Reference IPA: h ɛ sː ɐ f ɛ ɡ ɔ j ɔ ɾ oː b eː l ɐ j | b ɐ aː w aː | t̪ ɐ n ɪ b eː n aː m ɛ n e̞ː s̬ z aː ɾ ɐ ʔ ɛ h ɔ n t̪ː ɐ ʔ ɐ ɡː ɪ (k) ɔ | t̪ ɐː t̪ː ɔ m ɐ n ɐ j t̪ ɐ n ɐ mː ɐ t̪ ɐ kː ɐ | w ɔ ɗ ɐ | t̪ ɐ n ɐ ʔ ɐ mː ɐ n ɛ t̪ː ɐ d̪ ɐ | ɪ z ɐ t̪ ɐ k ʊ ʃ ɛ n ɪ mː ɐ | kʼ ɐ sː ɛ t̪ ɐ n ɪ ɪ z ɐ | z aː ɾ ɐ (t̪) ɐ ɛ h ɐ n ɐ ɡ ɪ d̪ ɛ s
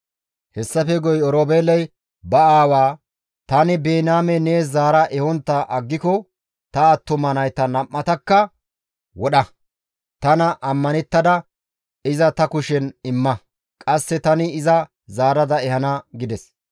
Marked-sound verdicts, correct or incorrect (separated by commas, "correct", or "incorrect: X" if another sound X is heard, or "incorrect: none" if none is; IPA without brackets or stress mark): correct, incorrect: d̪